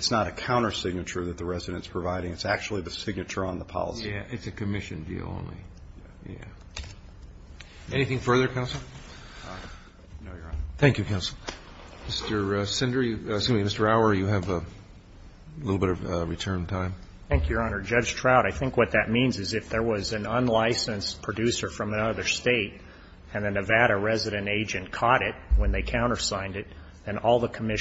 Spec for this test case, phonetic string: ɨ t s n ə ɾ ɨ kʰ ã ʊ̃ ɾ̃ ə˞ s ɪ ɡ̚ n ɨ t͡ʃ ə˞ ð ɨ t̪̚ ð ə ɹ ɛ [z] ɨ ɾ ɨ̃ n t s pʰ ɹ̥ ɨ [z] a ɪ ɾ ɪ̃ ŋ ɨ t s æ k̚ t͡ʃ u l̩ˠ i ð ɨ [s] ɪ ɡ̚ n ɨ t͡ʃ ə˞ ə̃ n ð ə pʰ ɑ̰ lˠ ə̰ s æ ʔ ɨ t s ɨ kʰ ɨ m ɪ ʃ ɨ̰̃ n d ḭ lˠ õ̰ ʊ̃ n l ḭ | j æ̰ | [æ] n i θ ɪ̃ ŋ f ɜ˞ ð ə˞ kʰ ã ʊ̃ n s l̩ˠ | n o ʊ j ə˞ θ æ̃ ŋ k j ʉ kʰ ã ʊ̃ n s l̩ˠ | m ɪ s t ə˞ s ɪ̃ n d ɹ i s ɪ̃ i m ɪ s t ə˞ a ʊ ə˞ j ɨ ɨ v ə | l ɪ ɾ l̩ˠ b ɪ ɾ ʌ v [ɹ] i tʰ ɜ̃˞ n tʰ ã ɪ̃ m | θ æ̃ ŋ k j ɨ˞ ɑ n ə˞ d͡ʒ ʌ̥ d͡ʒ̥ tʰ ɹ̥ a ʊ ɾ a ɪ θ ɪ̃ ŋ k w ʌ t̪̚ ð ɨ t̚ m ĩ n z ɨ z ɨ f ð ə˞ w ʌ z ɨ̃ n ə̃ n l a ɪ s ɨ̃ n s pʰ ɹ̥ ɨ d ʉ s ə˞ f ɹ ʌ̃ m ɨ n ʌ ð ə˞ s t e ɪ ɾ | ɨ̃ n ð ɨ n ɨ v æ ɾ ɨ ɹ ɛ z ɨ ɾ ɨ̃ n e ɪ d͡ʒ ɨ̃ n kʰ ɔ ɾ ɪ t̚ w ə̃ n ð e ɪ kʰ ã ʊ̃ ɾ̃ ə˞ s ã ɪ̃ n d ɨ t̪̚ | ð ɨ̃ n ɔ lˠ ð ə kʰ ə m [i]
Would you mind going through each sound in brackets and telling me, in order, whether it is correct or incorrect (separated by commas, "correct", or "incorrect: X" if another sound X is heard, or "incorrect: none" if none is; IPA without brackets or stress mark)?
correct, incorrect: v, correct, incorrect: ɛ, correct, incorrect: ɪ